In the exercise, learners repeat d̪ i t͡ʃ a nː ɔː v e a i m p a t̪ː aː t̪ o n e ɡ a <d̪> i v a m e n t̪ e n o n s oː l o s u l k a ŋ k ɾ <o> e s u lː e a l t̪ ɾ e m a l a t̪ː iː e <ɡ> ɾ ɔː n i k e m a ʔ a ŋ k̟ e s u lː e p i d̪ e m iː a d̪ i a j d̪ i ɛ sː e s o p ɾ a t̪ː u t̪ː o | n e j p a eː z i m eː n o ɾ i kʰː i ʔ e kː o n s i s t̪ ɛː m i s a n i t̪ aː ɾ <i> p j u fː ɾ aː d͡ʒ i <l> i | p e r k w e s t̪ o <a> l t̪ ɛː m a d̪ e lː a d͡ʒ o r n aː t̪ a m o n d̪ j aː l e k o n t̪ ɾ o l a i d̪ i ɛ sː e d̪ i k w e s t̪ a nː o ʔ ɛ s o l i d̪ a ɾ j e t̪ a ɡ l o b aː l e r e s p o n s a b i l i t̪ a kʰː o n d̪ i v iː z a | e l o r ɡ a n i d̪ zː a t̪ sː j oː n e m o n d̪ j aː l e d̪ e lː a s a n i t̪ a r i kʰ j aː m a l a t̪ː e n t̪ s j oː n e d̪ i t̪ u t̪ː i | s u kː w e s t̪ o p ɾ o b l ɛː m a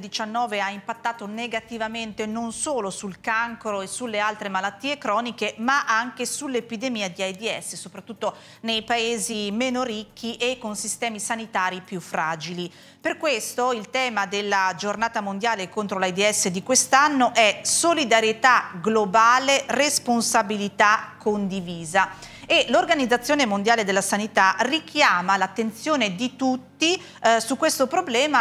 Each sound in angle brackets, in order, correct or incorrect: incorrect: t̪, correct, incorrect: k, correct, correct, incorrect: i

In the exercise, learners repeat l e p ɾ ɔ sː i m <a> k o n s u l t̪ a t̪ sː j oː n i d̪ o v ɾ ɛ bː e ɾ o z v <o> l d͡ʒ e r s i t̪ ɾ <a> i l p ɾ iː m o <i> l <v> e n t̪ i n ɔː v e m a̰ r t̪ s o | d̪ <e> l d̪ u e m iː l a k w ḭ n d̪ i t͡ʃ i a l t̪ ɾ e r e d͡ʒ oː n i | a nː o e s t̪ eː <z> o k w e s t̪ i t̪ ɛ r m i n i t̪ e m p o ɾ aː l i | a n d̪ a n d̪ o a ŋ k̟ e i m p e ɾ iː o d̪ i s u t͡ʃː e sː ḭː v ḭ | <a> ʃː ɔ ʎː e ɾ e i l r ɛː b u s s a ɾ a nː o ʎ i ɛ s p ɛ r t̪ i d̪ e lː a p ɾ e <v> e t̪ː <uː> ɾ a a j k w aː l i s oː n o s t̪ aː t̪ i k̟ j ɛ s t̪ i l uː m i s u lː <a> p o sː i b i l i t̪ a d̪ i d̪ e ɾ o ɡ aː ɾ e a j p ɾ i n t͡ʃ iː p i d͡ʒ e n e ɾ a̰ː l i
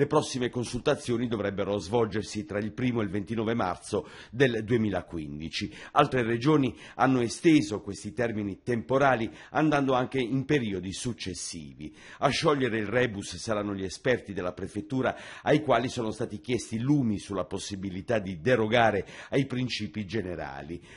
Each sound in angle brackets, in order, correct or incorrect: incorrect: e, incorrect: ɔ, correct, incorrect: e, correct, correct, correct, correct, incorrect: f, correct, correct

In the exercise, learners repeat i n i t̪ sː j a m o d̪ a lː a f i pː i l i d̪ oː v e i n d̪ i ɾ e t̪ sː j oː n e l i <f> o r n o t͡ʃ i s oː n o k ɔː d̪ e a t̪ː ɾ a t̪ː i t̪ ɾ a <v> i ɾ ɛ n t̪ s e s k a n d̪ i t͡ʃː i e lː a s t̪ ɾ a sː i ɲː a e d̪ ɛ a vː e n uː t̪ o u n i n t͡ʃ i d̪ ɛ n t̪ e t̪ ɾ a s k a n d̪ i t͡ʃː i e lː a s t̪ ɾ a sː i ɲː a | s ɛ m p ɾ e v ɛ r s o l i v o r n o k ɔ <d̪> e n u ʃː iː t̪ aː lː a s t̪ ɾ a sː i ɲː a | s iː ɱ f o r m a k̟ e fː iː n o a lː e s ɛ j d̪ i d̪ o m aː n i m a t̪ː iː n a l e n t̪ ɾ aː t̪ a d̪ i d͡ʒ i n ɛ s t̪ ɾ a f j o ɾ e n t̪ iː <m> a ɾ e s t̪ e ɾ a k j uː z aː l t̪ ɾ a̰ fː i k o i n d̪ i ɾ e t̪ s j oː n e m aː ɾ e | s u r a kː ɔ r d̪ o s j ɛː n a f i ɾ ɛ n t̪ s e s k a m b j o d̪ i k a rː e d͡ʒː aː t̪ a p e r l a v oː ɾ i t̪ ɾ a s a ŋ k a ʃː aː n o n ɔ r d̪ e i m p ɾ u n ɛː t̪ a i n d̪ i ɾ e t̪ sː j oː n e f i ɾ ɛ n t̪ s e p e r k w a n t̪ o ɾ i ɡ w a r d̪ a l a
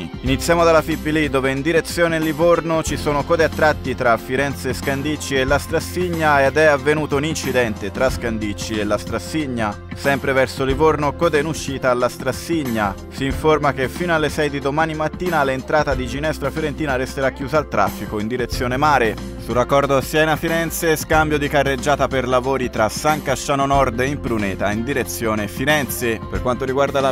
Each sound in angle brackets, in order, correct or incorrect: incorrect: v, incorrect: f, correct, incorrect: n

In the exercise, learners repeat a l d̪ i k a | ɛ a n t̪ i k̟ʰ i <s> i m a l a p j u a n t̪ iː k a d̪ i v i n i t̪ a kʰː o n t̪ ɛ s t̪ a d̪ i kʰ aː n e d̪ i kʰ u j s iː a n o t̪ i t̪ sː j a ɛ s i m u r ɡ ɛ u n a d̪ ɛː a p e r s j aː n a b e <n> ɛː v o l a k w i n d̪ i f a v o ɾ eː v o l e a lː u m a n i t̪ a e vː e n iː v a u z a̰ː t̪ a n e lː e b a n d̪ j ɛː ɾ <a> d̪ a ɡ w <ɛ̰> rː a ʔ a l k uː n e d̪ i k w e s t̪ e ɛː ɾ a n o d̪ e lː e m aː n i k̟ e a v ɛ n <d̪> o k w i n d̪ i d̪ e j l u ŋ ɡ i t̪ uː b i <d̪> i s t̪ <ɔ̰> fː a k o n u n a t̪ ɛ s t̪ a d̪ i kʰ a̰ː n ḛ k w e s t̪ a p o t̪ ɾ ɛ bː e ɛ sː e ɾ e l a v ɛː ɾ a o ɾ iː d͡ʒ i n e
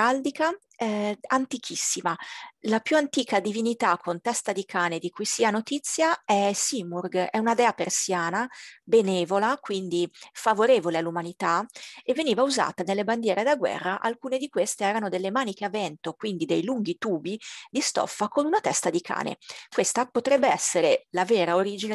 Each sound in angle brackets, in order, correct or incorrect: incorrect: sː, correct, incorrect: e, correct, incorrect: t̪, correct, correct

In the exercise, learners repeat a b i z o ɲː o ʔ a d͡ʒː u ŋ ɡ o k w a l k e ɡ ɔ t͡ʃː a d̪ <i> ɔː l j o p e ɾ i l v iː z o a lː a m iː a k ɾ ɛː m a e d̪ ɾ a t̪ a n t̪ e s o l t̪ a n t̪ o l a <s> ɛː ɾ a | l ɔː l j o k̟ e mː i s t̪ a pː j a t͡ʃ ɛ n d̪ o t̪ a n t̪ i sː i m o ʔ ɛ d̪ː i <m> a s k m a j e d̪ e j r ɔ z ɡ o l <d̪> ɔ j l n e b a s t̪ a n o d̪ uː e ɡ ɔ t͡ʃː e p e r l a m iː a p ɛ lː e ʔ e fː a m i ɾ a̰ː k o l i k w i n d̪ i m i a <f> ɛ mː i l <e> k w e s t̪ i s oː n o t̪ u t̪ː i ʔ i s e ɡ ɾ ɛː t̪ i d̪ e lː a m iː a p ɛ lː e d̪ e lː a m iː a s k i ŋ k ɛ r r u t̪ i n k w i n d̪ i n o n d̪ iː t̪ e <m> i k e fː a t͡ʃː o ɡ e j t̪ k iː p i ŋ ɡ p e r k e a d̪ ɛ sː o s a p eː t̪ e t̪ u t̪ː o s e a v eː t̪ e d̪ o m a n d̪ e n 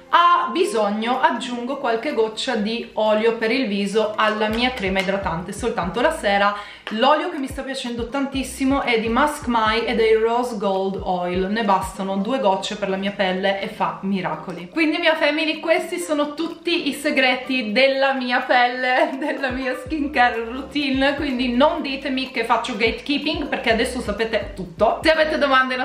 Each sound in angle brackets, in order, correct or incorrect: correct, correct, correct, correct, correct, incorrect: i, correct

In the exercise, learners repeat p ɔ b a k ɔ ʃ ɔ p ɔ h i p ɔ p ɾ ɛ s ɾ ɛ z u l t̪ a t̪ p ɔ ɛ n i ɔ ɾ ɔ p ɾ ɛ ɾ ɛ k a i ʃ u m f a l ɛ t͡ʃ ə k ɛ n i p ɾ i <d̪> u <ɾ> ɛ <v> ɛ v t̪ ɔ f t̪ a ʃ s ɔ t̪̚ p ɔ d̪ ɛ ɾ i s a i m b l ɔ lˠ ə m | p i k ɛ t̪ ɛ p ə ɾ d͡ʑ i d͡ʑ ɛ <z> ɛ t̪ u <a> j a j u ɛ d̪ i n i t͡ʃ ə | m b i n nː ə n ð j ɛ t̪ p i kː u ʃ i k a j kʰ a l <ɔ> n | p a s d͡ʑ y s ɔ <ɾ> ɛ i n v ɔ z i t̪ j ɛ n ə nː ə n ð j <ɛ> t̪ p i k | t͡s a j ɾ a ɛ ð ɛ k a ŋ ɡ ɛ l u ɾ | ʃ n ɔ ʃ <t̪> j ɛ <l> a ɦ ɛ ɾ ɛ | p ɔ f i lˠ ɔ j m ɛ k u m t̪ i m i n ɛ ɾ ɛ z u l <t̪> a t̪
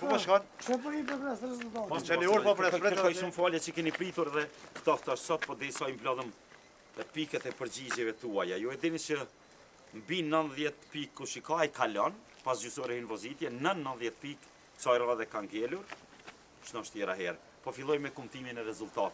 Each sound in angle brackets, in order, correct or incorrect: incorrect: t̪, correct, incorrect: ð, incorrect: v, correct, correct, correct, correct, correct, incorrect: ɾ, correct

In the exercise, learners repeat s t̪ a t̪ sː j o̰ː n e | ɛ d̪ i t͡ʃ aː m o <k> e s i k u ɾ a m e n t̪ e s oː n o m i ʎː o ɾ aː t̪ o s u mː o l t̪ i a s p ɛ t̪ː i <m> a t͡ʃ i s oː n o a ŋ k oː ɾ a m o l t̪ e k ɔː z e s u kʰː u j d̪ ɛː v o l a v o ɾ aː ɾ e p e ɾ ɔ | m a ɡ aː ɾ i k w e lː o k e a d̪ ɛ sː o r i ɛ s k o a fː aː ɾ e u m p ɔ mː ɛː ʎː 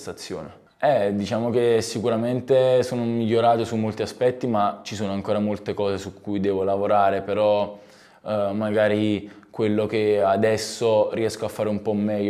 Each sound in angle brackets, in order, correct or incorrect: correct, correct

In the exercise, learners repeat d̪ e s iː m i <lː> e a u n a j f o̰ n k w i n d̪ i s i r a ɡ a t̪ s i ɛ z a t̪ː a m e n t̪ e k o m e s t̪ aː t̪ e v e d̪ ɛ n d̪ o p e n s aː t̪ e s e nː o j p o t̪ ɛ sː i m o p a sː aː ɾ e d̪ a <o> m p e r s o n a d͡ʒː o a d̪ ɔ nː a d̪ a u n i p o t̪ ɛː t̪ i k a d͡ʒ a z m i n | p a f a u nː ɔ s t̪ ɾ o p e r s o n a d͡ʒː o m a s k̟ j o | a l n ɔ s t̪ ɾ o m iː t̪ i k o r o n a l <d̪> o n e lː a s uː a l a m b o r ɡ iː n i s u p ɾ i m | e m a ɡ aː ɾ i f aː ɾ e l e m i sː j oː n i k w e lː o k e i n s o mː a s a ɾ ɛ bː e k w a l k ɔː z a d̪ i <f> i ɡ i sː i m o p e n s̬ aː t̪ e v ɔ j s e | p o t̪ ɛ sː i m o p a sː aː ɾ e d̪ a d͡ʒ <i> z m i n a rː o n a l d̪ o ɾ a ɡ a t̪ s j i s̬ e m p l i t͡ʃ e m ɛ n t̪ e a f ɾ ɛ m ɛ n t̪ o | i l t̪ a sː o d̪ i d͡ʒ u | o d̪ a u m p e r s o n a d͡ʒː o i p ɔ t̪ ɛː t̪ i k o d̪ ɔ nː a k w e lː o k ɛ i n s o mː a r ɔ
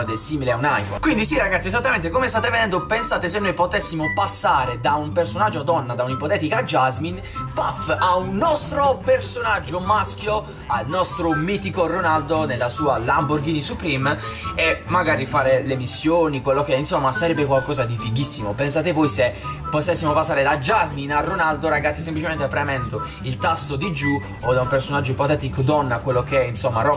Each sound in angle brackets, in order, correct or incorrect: incorrect: l, incorrect: u, correct, correct, incorrect: a

